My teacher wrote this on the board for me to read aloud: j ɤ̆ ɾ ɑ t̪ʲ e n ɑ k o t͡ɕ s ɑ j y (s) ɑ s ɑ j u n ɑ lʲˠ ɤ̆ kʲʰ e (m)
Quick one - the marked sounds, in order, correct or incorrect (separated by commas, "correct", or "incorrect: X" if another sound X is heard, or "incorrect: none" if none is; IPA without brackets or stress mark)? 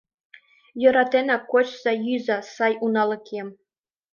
incorrect: z, correct